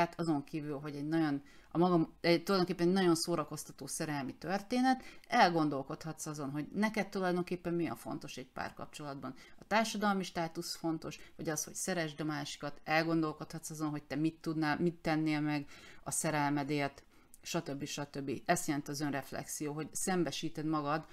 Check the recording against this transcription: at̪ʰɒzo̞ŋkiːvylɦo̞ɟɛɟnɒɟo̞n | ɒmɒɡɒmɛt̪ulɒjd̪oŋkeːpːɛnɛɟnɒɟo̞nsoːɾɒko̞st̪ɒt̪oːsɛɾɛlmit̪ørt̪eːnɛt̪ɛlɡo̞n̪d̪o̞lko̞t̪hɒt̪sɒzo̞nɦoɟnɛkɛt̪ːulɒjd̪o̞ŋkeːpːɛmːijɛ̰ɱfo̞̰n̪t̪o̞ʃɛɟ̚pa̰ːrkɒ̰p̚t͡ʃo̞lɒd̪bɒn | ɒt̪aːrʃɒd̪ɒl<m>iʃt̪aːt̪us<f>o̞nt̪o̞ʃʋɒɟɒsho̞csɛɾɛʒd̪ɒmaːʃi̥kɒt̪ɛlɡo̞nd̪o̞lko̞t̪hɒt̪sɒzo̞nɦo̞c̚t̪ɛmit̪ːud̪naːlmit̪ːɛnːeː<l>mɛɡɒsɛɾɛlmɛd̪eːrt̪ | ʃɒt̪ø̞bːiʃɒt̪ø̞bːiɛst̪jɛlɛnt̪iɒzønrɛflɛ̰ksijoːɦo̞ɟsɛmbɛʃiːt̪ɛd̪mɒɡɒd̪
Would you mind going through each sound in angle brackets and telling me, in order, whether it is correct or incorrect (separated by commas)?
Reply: correct, correct, correct